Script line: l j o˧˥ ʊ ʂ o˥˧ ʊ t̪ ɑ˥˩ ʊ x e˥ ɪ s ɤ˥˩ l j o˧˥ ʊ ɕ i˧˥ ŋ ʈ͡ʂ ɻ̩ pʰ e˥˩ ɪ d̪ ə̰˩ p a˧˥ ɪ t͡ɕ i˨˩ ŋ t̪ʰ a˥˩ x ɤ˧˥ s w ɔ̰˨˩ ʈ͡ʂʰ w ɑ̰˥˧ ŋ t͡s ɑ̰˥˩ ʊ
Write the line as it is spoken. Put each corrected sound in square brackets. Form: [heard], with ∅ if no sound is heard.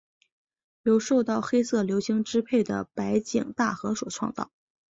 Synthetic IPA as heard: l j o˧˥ ʊ ʂ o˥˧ ʊ t̪ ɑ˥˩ ʊ x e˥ ɪ s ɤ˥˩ l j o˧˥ ʊ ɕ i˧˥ ŋ ʈ͡ʂ ɻ̩ pʰ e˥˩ ɪ d̪ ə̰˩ p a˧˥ ɪ t͡ɕ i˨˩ ŋ [t̪] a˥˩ x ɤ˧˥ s w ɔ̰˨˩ ʈ͡ʂʰ w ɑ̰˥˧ ŋ t͡s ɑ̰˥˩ ʊ